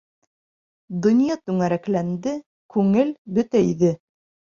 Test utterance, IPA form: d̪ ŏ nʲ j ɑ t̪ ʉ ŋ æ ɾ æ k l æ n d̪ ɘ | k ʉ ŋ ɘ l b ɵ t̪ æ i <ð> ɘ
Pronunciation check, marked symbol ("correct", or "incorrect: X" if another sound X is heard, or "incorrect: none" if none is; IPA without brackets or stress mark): correct